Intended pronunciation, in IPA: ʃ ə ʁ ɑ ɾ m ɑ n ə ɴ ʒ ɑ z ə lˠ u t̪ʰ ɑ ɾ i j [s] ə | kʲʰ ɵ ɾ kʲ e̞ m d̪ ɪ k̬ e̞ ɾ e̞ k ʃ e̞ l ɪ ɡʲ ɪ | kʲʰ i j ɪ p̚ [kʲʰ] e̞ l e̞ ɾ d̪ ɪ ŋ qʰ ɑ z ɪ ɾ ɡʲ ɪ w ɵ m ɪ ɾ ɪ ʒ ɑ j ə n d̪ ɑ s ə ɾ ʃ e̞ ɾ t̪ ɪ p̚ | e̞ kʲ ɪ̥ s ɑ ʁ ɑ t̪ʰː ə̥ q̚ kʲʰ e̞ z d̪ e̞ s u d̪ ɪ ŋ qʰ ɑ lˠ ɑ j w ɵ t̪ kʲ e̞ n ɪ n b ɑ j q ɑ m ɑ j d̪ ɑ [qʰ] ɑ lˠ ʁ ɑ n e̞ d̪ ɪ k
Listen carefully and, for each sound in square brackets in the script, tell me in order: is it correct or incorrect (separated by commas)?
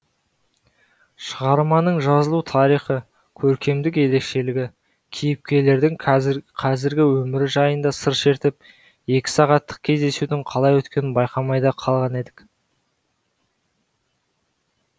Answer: incorrect, incorrect, correct